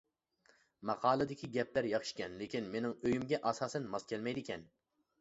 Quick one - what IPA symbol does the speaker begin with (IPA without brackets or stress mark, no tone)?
m